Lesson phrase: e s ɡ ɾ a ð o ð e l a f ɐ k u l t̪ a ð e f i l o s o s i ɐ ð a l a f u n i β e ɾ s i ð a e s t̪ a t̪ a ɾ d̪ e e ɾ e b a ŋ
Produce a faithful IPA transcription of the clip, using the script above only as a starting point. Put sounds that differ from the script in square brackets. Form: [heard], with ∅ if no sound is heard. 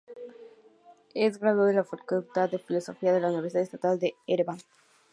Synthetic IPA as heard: e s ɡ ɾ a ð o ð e l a f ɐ k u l t̪ a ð e f i l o s o [f] i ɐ ð [e] l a [∅] u n i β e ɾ s i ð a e s t̪ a t̪ a [l] d̪ e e ɾ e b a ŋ